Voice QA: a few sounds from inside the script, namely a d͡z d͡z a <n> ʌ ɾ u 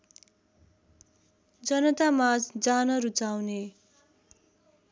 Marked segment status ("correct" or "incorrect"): correct